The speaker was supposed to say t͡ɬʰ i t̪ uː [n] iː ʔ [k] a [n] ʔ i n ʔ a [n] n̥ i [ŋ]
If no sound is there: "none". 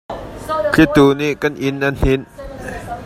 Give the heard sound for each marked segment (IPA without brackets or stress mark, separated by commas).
n, k, n, n, n